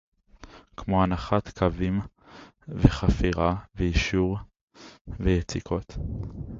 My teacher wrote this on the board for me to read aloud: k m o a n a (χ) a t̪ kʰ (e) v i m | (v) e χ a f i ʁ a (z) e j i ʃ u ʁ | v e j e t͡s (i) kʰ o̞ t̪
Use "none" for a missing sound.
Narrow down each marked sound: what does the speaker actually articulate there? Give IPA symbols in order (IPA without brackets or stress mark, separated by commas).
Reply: χ, a, v, v, i